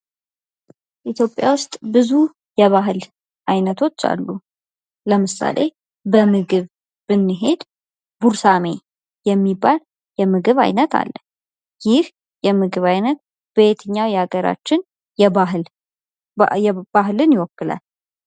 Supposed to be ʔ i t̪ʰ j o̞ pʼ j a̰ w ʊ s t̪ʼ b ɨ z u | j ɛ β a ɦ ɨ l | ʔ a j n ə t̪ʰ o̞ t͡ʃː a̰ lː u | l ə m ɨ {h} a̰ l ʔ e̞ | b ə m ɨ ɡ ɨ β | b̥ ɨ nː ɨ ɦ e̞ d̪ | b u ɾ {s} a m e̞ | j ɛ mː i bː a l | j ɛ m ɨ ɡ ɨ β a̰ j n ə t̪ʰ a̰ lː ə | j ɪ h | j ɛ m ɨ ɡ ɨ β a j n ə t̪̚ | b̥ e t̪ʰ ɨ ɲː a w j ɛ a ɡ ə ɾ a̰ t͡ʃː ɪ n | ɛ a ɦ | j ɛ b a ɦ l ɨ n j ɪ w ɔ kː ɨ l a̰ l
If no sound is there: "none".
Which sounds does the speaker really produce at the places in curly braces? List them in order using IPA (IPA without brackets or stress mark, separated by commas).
s, s